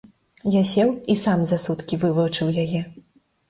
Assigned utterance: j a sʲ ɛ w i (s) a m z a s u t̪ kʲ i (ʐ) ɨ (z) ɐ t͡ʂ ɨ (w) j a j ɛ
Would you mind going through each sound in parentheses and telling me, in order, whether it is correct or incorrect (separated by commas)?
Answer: correct, incorrect, incorrect, correct